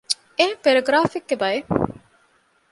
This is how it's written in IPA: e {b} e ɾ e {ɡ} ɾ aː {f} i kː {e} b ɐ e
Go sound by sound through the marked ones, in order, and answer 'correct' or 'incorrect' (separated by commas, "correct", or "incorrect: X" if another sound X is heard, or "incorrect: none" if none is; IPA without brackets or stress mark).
incorrect: p, correct, correct, correct